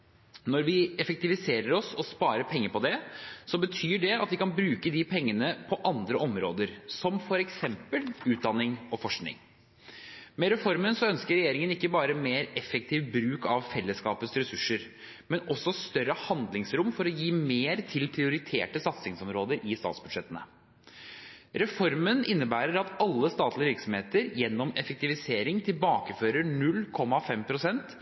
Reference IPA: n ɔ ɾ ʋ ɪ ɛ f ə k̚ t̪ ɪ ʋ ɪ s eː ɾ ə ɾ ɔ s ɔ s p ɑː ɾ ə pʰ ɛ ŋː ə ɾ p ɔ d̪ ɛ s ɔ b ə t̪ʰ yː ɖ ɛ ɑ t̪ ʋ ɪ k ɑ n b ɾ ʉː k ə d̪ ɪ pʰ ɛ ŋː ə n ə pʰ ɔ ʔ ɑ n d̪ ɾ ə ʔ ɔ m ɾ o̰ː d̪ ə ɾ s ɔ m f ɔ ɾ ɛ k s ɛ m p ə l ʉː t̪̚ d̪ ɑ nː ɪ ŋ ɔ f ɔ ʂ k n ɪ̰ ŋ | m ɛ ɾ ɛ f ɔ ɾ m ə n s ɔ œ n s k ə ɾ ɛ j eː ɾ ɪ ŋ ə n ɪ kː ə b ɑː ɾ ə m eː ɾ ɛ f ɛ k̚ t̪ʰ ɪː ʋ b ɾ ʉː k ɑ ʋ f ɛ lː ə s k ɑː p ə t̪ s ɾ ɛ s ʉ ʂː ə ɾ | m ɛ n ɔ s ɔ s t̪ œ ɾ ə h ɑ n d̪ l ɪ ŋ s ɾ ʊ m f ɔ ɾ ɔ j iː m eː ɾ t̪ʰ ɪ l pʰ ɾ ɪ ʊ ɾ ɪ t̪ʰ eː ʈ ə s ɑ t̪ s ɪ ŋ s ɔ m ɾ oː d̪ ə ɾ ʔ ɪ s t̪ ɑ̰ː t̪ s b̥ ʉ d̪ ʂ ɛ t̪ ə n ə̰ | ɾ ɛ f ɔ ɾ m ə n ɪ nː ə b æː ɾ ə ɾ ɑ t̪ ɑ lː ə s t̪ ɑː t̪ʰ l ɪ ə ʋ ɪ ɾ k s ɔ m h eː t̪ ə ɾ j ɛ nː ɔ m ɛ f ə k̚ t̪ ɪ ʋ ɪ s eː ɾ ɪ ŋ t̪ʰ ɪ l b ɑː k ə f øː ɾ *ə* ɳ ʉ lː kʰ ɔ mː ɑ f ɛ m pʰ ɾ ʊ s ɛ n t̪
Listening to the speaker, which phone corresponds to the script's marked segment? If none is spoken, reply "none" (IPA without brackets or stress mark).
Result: ə